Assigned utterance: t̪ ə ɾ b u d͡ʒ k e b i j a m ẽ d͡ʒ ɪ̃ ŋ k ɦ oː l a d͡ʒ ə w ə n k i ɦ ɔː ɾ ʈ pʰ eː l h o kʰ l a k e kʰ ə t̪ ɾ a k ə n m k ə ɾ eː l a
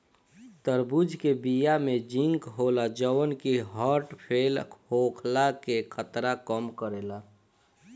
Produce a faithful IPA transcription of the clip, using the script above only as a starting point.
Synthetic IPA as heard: t̪ ə ɾ b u d͡ʒ k e b i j a m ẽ d͡ʒ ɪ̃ ŋ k ɦ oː l a d͡ʒ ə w ə n k i ɦ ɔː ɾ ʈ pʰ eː l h o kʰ l a k e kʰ ə t̪ ɾ a k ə m k ə ɾ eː l a